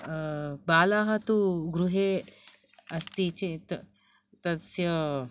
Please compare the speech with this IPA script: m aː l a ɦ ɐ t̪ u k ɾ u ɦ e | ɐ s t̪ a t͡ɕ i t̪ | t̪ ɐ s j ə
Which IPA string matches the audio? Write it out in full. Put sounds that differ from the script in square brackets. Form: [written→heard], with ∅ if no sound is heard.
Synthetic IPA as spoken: [m→b] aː l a ɦ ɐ t̪ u [k→ɡ] ɾ u ɦ e | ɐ s t̪ [a→i] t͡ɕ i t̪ | t̪ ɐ s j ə